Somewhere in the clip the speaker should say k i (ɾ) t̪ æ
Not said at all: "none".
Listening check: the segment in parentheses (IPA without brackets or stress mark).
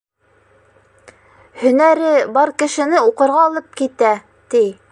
none